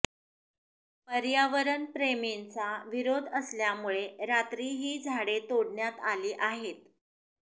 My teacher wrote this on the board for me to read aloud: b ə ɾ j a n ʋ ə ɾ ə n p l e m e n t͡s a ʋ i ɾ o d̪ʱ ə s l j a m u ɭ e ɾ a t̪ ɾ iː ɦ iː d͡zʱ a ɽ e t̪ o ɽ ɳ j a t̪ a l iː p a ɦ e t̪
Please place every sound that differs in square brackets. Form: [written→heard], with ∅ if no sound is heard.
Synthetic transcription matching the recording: [b→p] ə ɾ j a [n→∅] ʋ ə ɾ ə n p [l→ɾ] e m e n t͡s a ʋ i ɾ o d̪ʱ ə s l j a m u ɭ e ɾ a t̪ ɾ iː ɦ iː d͡zʱ a ɽ e t̪ o ɽ ɳ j a t̪ a l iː [p→ʔ] a ɦ e t̪